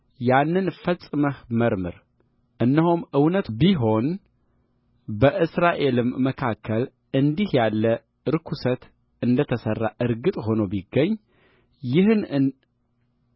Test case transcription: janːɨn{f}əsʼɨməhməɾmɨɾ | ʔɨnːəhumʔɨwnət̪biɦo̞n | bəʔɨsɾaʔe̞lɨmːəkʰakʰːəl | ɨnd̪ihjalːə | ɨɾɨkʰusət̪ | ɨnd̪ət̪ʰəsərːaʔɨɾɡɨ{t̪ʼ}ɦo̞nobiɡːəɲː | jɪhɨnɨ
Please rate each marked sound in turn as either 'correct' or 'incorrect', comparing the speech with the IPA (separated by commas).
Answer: correct, correct